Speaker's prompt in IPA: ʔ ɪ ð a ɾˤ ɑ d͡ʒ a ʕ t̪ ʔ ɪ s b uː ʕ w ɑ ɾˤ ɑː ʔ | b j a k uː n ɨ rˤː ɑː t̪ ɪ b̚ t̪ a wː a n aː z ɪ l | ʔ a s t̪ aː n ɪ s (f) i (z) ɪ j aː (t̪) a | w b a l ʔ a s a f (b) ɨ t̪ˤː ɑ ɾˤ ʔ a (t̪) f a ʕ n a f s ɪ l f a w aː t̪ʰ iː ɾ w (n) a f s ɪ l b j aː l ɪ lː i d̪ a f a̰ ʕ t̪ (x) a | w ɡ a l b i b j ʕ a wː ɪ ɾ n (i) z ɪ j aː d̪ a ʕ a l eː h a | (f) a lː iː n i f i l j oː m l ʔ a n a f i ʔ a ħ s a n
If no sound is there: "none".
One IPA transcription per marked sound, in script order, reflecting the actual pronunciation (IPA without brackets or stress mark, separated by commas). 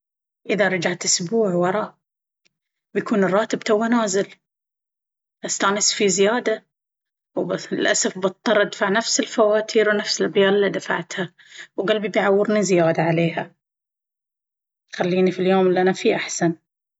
f, z, d̪, b, d̪, n, h, i, x